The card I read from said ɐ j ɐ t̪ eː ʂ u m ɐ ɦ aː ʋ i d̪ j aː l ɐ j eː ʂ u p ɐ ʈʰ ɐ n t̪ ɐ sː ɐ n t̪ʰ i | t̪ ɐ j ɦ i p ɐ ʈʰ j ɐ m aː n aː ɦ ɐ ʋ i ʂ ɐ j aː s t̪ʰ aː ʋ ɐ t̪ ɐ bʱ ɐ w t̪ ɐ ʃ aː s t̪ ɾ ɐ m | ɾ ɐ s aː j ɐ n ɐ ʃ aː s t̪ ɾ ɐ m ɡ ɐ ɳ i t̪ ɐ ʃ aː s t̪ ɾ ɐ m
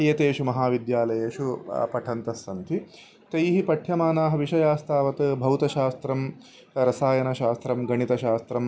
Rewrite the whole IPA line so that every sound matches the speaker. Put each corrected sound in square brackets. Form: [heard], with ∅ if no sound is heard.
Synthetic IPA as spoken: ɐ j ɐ t̪ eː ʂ u m ɐ ɦ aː ʋ i d̪ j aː l ɐ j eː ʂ u p ɐ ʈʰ ɐ n t̪ ɐ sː ɐ n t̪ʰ i | t̪ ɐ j ɦ i p ɐ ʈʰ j ɐ m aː n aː ɦ ɐ ʋ i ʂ ɐ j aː s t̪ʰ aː ʋ ɐ t̪ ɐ bʱ ɐ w t̪ ɐ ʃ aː s t̪ ɾ ɐ m | ɾ ɐ s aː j ɐ n ɐ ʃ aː s t̪ ɾ ɐ m ɡ ɐ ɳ i t̪ ɐ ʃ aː s t̪ ɾ ɐ m